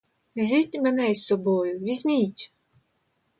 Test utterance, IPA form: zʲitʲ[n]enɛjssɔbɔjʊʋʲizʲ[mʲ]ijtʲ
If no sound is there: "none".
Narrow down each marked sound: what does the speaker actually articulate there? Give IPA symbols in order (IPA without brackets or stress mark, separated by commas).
m, mʲ